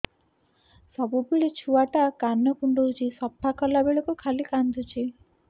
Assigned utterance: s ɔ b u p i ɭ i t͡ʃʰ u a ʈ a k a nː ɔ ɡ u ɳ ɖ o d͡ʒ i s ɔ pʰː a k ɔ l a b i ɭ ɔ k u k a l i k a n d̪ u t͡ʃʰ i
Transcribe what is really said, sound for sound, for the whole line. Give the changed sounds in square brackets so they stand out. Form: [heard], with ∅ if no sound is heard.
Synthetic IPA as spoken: s ɔ b u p i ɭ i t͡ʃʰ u a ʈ a k a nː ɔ [k] u ɳ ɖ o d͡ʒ i s ɔ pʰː a k ɔ l a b [e] ɭ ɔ k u [kʰ] a l i k a n d̪ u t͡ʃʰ i

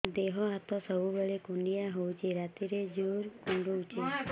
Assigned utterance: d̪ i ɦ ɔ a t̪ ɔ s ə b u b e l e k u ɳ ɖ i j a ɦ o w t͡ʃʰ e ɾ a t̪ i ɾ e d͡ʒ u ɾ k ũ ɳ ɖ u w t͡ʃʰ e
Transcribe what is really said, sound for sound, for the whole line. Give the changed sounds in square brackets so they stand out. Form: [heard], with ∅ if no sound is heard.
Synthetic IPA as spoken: d̪ [e] ɦ ɔ a t̪ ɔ s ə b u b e [ɭ] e k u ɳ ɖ i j a ɦ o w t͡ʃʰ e ɾ a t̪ i ɾ e d͡ʒ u ɾ k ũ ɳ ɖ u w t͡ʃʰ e

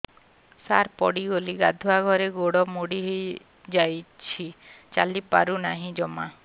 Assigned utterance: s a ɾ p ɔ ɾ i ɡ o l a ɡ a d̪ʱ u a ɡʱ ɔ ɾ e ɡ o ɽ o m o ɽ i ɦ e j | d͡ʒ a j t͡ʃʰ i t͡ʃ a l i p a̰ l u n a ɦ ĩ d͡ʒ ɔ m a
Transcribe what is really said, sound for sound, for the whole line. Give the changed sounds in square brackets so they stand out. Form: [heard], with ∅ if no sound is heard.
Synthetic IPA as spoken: s a ɾ p ɔ [ɽ] i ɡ o l [i] ɡ a d̪ʱ u a ɡʱ ɔ ɾ e ɡ o ɽ [ɔ] m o ɽ i ɦ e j | d͡ʒ a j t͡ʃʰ i t͡ʃ a l i p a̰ [ɾ] u n a ɦ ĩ d͡ʒ ɔ m a

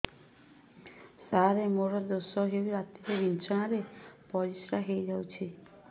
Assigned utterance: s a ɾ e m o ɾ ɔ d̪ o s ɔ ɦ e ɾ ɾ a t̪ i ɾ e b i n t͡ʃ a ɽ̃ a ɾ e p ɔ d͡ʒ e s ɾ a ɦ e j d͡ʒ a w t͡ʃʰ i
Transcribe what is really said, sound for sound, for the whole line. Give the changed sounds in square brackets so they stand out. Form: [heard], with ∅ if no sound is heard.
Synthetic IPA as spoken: s a ɾ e m o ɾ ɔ d̪ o s ɔ ɦ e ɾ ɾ a t̪ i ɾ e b i n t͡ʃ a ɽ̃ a ɾ e p ɔ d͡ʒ [i] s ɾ a ɦ e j d͡ʒ a w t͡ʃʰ i

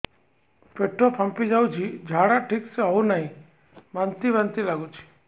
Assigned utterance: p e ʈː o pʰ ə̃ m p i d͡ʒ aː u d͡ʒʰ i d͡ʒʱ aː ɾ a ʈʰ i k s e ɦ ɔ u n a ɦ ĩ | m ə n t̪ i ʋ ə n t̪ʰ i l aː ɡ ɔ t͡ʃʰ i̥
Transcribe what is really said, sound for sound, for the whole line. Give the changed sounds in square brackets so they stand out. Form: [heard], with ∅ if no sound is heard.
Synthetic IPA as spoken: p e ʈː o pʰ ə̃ m p i d͡ʒ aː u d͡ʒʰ i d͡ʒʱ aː [ɽ] a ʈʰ i k s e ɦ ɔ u n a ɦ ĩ | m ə n t̪ i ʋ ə n [t̪] i l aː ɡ [u] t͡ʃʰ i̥

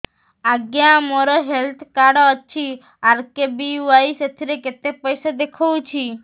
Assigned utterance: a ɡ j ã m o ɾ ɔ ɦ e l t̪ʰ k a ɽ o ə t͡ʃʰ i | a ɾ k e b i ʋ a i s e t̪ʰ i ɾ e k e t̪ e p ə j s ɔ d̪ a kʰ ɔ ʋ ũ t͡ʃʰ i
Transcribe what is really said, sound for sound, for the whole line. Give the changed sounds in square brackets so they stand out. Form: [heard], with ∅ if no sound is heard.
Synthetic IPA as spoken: a ɡ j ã m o ɾ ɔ ɦ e l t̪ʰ k a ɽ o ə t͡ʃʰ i | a ɾ k e b i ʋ a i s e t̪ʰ i ɾ e k e t̪ e p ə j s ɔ d̪ [e] kʰ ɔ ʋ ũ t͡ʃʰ i

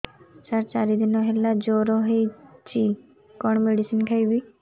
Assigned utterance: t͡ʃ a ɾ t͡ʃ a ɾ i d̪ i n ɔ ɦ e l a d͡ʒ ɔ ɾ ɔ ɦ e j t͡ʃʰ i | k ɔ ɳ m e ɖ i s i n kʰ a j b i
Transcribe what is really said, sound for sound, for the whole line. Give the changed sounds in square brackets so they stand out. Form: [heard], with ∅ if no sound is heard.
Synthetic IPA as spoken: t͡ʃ a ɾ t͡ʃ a ɾ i d̪ i n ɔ ɦ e l a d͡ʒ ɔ ɾ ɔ ɦ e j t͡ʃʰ i | k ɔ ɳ m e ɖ i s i n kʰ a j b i

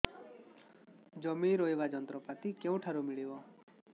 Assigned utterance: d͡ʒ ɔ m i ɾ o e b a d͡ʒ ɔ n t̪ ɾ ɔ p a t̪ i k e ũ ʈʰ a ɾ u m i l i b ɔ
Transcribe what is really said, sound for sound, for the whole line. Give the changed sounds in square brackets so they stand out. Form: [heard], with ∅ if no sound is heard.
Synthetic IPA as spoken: d͡ʒ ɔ m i ɾ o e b a d͡ʒ ɔ n t̪ ɾ ɔ p a t̪ i k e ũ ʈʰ a ɾ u m i [ɭ] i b ɔ

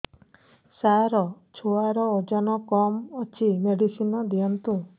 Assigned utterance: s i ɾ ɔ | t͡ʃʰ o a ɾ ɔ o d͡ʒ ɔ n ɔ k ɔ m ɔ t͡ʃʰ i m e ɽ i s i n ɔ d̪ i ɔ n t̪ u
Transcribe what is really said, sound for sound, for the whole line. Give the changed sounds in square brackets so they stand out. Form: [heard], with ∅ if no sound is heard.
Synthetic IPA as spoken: s [a] ɾ ɔ | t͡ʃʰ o a ɾ ɔ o d͡ʒ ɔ n ɔ k ɔ m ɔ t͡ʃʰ i m e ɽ i s i n ɔ d̪ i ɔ n t̪ u

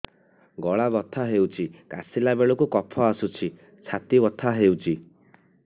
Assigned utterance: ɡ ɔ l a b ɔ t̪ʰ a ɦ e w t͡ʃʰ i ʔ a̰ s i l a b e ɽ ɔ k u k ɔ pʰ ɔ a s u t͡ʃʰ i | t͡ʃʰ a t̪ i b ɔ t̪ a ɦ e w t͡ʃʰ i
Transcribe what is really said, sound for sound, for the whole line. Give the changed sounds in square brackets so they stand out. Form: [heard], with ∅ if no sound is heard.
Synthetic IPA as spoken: ɡ ɔ [ɭ] a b ɔ t̪ʰ a ɦ e w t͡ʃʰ i [k] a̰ s i l a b e [ɭ] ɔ k u k ɔ pʰ ɔ a s u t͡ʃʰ i | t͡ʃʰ a t̪ i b ɔ [t̪ʰ] a ɦ e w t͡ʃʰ i

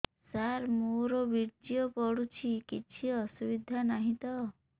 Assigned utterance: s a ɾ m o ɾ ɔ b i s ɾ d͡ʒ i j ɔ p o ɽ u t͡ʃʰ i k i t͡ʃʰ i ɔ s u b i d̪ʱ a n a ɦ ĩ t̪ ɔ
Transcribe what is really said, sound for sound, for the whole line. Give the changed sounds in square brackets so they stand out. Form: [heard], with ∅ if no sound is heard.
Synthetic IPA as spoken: s a ɾ m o ɾ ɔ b i [∅] ɾ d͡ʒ i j ɔ p [ɔ] ɽ u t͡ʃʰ i k i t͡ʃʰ i ɔ s u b i d̪ʱ a n a ɦ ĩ t̪ ɔ

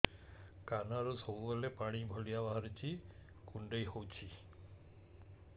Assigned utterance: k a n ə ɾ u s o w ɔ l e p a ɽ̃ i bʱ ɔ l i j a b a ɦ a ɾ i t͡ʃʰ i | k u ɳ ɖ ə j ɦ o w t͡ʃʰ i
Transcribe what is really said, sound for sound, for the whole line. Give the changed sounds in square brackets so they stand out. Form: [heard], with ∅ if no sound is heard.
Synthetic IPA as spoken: k a n [a] ɾ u s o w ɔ l e p a ɽ̃ i bʱ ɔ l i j a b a ɦ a ɾ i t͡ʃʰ i | k u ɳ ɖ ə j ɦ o w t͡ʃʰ i

